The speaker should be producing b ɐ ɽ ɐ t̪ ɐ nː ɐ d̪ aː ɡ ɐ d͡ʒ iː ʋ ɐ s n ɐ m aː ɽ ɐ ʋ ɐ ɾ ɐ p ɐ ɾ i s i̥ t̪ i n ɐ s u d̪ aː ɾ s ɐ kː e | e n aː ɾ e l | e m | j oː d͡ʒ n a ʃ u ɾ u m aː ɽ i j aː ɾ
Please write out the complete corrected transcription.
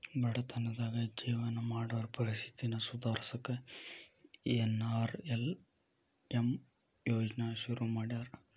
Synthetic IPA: b ɐ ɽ ɐ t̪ ɐ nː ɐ d̪ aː ɡ ɐ d͡ʒ iː ʋ ɐ n ɐ m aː ɽ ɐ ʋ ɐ ɾ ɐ p ɐ ɾ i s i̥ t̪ i n ɐ s u d̪ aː ɾ s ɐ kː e | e n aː ɾ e l | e m | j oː d͡ʒ n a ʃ u ɾ u m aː ɽ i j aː ɾ